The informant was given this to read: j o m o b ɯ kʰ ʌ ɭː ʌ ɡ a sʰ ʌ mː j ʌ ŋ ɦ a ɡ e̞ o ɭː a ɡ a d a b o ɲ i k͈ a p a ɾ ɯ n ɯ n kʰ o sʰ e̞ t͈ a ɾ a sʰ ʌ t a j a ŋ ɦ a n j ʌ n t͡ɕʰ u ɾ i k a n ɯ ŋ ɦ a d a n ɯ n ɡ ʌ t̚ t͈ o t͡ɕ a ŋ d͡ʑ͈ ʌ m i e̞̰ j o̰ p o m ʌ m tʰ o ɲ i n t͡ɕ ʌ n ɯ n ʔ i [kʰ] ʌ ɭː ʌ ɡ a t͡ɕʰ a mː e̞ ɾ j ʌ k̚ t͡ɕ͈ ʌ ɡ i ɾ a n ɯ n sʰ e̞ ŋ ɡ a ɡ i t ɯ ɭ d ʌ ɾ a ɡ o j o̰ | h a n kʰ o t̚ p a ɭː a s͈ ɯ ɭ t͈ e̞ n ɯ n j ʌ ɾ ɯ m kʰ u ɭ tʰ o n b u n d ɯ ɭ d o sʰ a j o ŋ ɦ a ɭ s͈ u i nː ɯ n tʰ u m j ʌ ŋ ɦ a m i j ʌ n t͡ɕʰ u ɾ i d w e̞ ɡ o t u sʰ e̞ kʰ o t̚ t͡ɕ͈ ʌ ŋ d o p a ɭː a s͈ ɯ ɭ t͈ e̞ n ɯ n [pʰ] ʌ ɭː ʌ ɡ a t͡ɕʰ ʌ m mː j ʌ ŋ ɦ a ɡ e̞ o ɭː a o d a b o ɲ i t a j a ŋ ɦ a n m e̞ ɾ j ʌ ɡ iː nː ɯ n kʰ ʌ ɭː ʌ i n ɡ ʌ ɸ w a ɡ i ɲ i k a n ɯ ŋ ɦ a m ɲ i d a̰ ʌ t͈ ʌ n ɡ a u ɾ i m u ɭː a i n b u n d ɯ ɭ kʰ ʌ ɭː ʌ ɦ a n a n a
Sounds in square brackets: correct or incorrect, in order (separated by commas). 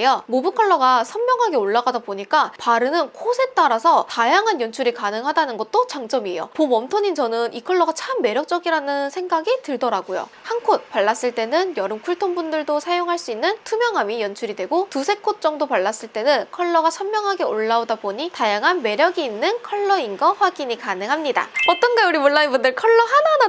correct, incorrect